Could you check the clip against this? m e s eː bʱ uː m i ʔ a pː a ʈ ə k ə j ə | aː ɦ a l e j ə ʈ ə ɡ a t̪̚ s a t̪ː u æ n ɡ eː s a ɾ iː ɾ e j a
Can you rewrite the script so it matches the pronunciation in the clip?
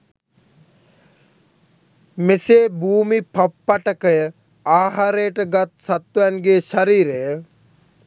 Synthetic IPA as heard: m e s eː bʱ uː m i p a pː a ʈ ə k ə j ə | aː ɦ a ɾ e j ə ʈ ə ɡ a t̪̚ s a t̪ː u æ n ɡ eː ʃ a ɾ iː ɾ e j ə